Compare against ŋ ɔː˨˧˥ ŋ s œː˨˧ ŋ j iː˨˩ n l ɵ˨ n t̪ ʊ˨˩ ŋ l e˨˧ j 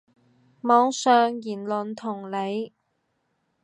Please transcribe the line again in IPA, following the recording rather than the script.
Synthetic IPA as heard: m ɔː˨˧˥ ŋ s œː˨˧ ŋ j iː˨˩ n l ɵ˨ n t̪ʰ ʊ˨˩ ŋ l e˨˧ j